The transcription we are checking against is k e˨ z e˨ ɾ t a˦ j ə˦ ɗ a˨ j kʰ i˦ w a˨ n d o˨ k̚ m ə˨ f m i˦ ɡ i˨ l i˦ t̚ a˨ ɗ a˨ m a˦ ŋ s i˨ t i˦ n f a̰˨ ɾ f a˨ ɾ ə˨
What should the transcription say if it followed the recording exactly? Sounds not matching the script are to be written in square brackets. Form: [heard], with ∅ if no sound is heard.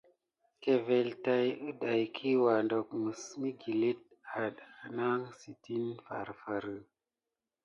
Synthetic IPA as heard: k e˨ [v] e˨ [l] t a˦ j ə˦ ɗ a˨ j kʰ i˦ w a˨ n d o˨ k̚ m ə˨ [s] m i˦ ɡ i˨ l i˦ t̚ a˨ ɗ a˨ [n] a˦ ŋ s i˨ t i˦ n f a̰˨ ɾ f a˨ ɾ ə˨